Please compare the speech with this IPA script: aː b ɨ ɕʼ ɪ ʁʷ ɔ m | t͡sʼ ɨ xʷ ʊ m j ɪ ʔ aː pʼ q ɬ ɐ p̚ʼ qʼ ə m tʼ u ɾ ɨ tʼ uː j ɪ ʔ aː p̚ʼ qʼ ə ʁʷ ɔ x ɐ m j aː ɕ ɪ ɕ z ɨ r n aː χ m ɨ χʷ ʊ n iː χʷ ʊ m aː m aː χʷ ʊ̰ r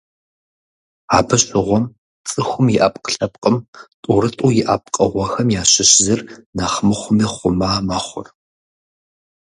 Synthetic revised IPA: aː b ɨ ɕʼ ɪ ʁʷ ɔ m | t͡sʼ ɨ xʷ ʊ m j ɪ ʔ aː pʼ q ɬ ɐ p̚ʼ qʼ ə m tʼ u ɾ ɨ tʼ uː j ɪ ʔ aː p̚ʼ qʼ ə ʁʷ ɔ x ɐ m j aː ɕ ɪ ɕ z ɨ r n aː χ m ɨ χʷ ʊ m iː χʷ ʊ m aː m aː χʷ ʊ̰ r